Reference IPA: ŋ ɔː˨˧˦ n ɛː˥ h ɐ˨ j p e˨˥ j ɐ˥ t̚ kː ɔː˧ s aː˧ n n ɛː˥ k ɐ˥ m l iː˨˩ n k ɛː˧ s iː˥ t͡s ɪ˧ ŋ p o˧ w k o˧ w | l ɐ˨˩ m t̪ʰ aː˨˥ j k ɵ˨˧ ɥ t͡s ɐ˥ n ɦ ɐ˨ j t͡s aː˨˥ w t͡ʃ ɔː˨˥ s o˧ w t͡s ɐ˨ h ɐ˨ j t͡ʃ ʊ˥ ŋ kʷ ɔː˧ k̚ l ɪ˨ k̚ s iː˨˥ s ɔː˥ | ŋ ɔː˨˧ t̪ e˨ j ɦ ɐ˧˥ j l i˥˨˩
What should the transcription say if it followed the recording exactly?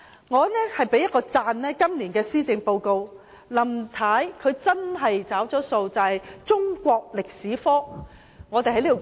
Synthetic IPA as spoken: ŋ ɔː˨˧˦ n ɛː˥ h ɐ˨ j p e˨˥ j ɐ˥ t̚ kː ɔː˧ t͡s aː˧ n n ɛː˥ k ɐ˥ m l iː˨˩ n k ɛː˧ s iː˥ t͡s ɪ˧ ŋ p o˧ w k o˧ w | l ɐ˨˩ m t̪ʰ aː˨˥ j kʰ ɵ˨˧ ɥ t͡s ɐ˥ n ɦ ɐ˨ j t͡s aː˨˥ w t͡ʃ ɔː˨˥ s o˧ w t͡s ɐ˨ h ɐ˨ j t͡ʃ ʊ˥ ŋ kʷ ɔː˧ k̚ l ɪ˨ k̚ s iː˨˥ f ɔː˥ | ŋ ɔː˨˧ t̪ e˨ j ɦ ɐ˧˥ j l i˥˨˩